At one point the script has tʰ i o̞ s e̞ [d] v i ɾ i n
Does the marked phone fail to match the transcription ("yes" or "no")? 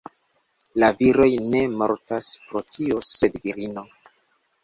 no